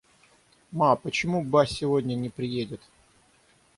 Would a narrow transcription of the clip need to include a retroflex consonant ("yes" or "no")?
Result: no